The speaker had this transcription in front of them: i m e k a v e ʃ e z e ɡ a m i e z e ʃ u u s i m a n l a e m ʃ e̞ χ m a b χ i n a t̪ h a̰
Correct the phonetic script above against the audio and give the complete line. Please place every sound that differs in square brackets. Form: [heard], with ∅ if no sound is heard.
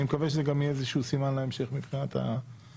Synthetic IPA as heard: i m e k a v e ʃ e z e ɡ a m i e z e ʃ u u s i m a n l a e m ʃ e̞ χ m [i] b χ i n a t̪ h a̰